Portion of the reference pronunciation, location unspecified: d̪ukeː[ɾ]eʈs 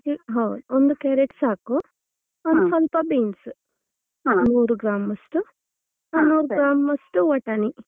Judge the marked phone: correct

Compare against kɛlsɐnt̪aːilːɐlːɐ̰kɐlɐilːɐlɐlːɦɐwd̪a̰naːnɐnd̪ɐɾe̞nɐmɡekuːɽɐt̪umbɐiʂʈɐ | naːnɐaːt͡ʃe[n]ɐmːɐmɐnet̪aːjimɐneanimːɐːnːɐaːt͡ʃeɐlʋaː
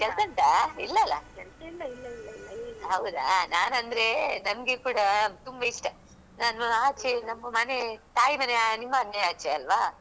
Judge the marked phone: correct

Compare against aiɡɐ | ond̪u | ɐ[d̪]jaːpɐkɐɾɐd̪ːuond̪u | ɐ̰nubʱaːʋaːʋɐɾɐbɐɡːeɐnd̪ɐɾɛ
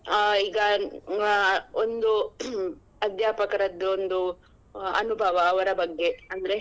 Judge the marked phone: correct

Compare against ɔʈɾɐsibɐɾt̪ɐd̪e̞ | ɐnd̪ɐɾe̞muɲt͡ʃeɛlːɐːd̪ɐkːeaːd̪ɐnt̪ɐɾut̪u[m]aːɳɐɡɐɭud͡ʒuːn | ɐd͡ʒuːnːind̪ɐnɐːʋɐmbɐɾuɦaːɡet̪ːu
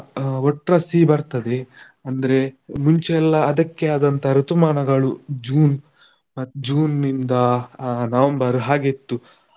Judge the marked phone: correct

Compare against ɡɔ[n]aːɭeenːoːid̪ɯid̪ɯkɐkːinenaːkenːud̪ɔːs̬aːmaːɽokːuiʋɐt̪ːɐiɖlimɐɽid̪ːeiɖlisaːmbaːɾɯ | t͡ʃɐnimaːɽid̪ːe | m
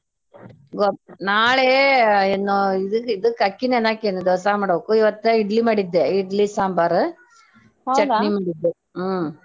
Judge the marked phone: correct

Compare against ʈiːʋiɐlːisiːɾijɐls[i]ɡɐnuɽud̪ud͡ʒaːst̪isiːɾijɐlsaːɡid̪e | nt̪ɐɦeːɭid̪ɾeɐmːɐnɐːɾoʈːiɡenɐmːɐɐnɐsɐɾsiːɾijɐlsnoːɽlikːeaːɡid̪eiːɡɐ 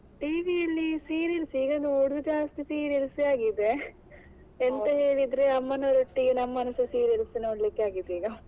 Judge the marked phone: incorrect: iː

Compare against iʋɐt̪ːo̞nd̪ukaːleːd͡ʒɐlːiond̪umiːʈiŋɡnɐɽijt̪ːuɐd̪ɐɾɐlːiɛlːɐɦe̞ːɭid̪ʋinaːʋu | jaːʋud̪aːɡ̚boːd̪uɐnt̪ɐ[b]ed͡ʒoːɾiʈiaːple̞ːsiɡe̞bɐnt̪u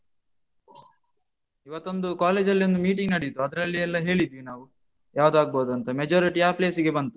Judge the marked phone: incorrect: m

